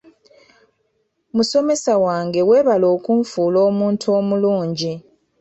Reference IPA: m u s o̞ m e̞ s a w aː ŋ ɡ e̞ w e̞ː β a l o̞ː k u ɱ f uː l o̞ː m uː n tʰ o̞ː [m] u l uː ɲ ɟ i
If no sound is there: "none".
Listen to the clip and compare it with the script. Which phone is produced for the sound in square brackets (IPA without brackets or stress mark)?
m